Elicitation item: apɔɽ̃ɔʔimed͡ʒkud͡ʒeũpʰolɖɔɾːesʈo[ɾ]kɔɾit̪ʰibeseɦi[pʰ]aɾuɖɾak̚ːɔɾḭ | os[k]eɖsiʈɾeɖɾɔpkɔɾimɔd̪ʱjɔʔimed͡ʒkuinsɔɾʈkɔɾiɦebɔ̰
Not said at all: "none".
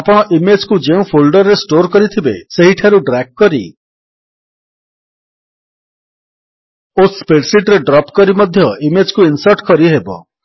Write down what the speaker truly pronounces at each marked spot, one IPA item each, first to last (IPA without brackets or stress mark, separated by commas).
ɾ, ʈʰ, p